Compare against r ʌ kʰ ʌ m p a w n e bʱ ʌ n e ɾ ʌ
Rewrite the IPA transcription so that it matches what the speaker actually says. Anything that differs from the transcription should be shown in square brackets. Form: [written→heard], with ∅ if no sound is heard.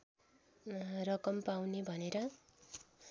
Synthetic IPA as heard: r ʌ [kʰ→k] ʌ m p a w n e bʱ ʌ n e ɾ ʌ

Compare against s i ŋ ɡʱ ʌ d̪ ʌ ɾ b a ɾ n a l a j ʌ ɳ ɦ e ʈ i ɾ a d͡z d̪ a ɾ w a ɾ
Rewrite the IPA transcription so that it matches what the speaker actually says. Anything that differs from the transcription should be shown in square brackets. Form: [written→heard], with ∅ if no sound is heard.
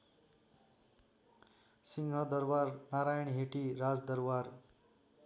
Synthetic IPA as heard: s i ŋ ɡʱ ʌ d̪ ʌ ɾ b a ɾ n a [l→ɾ] a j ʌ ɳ ɦ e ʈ i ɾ a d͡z d̪ [a→ʌ] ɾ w a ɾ

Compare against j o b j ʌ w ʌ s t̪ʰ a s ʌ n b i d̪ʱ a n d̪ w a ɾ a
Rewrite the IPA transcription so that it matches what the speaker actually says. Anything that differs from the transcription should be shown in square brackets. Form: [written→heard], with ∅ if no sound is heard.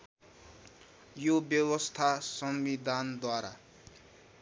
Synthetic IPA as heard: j o b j ʌ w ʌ s t̪ʰ a s ʌ [n→m] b i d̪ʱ a n d̪ w a ɾ a

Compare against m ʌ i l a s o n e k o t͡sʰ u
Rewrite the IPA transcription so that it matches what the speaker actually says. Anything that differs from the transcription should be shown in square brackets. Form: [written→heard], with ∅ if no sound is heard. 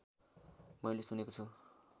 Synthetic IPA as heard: m ʌ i l [a→e] s [o→u] n e k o t͡sʰ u

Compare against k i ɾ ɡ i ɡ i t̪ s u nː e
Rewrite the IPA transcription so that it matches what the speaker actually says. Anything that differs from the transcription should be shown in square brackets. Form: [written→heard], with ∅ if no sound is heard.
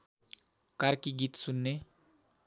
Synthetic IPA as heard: k [i→a] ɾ [ɡ→k] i ɡ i t̪ s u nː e

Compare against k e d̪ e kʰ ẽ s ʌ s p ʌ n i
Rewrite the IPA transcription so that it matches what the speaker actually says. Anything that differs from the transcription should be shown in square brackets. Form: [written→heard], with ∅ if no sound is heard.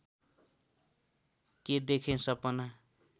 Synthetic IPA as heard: k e d̪ e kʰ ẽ s ʌ [s→∅] p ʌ n [i→a]

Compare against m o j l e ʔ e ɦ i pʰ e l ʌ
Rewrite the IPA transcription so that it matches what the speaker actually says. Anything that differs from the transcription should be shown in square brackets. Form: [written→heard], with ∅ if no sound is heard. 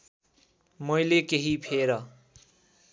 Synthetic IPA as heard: m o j l e [ʔ→k] e ɦ i pʰ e [l→ɾ] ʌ

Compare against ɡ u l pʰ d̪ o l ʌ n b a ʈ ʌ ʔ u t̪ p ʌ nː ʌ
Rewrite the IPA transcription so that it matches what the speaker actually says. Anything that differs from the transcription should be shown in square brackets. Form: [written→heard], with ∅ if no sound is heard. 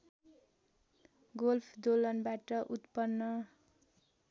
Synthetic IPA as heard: ɡ [u→o] l pʰ d̪ o l ʌ n b a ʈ ʌ ʔ u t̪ p ʌ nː ʌ

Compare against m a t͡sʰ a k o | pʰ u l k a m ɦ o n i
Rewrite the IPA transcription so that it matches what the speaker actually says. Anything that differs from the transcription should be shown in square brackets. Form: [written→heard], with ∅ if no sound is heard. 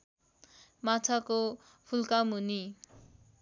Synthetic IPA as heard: m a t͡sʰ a k o | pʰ u l k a m ɦ [o→u] n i

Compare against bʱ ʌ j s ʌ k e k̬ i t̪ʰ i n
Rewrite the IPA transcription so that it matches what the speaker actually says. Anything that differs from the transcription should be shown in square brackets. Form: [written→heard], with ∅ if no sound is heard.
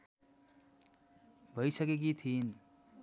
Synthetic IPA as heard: bʱ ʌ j s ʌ k e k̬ i t̪ʰ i n

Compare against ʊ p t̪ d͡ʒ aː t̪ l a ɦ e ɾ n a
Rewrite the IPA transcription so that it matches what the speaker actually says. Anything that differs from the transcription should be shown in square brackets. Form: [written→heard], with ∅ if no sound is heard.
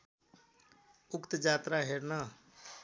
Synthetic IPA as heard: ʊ [p→k] t̪ d͡ʒ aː t̪ [l→ɾ] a ɦ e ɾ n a

